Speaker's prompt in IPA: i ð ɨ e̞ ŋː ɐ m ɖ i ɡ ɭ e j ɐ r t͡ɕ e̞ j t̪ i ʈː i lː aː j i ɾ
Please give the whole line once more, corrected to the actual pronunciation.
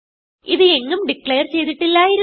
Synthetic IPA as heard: i ð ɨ e̞ ŋː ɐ m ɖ i k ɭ e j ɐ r t͡ɕ e̞ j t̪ i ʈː i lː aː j i ɾ